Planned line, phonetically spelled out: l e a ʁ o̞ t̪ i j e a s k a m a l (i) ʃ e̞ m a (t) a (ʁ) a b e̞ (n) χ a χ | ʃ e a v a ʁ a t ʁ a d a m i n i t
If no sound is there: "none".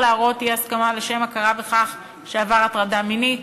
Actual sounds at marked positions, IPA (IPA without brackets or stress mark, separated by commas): e, k, ʁ, none